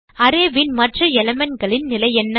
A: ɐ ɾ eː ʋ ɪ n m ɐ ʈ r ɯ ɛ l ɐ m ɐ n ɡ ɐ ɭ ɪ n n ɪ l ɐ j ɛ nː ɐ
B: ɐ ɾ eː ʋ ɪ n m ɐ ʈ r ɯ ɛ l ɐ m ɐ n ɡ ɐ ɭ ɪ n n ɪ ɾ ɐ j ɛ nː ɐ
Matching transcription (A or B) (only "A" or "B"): A